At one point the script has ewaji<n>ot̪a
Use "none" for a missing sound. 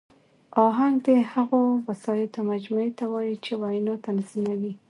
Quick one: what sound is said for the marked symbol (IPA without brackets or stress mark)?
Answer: n